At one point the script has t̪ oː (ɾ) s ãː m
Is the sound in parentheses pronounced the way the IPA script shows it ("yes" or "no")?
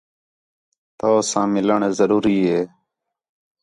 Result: no